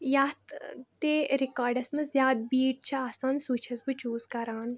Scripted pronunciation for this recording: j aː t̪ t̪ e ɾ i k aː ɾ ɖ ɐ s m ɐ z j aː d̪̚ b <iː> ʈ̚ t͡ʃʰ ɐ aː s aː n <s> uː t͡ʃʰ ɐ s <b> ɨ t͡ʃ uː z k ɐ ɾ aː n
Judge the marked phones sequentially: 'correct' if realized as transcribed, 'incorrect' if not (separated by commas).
correct, correct, correct